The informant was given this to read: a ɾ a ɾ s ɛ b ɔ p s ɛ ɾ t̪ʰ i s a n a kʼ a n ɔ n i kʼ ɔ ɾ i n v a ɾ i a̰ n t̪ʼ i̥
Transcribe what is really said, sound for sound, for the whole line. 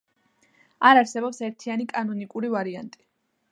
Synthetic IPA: a ɾ a ɾ s ɛ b ɔ p s ɛ ɾ t̪ʰ i a n i kʼ a n ɔ n i kʼ u ɾ i v a ɾ i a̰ n t̪ʼ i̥